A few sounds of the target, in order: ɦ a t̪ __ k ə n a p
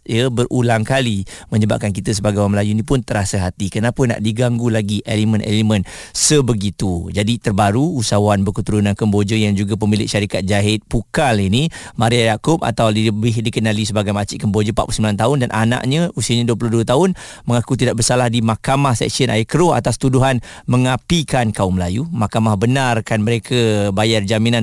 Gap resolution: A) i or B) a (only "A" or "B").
A